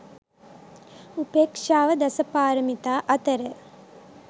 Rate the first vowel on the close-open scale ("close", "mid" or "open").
close